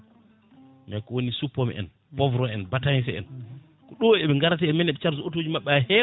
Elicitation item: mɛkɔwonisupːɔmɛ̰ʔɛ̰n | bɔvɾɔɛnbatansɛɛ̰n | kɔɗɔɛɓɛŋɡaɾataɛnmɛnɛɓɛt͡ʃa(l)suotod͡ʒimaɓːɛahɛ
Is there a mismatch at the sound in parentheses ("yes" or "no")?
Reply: yes